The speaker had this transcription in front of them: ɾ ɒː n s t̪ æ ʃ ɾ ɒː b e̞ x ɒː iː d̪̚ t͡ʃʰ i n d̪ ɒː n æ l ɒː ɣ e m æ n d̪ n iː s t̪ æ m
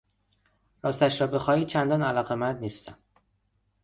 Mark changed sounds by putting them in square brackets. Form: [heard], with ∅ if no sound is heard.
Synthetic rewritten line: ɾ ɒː [∅] s t̪ æ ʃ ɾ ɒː b e̞ x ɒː iː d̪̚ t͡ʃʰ [æ] n d̪ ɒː n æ l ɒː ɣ e m æ n d̪ n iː s t̪ æ m